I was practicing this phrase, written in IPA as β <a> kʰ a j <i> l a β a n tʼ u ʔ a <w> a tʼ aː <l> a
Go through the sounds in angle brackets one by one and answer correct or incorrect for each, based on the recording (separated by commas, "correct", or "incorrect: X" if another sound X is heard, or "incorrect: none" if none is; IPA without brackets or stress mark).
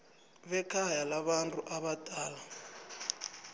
incorrect: ɛ, incorrect: a, incorrect: β, correct